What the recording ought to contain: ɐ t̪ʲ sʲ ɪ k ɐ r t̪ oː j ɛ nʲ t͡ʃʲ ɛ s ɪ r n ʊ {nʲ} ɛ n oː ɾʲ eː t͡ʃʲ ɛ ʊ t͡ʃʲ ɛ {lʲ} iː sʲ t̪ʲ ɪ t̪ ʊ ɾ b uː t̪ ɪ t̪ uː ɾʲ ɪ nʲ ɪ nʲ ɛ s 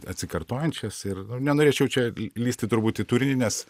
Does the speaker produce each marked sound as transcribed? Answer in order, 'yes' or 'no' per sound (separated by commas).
yes, yes